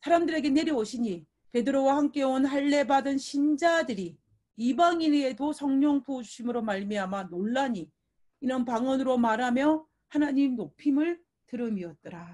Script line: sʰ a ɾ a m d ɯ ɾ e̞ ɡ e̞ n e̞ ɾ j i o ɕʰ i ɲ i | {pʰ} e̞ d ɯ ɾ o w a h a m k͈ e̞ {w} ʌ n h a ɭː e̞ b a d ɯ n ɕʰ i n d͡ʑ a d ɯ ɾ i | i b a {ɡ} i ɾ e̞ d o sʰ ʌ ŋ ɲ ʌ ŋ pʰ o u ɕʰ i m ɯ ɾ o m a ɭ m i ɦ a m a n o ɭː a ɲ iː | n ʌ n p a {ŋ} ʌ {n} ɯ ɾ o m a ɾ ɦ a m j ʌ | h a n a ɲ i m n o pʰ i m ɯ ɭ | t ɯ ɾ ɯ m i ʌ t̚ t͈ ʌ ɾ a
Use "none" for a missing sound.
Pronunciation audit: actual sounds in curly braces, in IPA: p, w, ŋ, ŋ, n

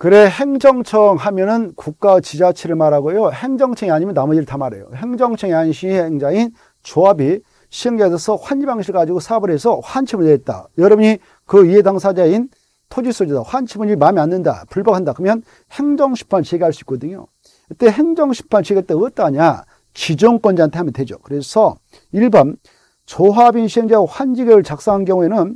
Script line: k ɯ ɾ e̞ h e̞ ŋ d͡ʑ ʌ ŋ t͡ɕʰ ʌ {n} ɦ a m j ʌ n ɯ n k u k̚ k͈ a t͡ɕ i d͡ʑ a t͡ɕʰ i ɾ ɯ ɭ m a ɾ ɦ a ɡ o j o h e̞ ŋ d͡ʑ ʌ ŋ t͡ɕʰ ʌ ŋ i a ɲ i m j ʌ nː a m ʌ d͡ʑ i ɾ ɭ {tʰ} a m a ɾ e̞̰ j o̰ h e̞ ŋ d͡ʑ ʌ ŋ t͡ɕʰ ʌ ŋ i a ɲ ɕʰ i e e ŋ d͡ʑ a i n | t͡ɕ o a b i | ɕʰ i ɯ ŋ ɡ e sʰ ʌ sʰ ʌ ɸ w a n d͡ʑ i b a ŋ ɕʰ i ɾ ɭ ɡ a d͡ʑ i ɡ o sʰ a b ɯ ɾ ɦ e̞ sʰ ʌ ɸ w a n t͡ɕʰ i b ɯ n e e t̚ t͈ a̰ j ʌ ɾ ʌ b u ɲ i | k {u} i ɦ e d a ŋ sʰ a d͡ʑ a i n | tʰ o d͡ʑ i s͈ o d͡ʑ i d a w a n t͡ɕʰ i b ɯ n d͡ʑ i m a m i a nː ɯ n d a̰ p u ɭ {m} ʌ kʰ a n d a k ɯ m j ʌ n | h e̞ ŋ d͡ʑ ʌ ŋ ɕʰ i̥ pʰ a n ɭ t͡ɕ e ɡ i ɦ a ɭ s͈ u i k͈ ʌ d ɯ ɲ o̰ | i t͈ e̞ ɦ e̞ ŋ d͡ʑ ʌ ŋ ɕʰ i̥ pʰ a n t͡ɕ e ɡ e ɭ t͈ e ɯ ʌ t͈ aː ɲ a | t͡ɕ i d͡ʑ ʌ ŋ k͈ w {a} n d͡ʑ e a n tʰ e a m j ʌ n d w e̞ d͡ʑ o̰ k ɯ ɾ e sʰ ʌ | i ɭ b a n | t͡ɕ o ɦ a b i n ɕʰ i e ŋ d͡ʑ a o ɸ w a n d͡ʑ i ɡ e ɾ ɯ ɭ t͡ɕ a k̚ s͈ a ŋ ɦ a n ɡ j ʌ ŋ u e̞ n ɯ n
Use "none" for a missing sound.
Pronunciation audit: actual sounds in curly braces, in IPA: ŋ, tʰ, ɯ, b, ʌ

